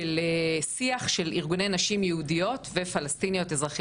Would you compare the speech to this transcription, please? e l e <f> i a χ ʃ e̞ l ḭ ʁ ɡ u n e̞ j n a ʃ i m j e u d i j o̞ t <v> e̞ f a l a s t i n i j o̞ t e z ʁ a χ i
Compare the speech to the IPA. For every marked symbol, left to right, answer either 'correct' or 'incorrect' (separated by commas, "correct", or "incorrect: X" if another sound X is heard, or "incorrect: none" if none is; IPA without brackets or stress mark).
incorrect: s, correct